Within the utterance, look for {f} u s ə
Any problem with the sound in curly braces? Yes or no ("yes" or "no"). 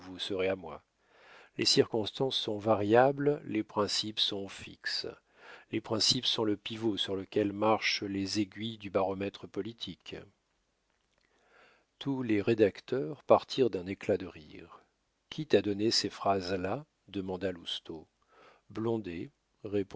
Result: yes